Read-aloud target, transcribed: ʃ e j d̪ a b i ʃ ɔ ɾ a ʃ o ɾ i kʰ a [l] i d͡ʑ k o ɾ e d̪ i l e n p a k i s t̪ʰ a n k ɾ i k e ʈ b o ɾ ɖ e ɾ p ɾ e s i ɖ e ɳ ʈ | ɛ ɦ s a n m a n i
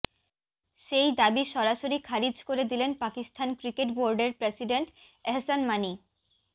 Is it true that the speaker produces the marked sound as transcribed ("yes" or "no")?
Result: no